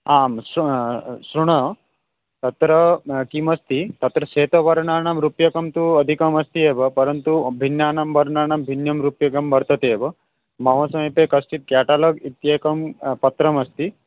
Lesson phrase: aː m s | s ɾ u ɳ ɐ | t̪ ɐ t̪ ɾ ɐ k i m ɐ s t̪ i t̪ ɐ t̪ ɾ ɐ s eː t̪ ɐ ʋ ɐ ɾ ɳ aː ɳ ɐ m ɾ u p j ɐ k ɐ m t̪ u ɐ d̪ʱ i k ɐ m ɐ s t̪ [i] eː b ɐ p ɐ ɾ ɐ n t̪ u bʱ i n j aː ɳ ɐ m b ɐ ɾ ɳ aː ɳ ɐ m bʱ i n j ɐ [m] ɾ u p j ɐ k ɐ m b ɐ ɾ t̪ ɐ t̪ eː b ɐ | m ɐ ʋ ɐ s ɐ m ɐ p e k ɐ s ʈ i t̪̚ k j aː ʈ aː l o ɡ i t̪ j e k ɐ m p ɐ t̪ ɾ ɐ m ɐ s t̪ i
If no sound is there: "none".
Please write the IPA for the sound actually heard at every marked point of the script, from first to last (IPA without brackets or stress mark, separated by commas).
i, m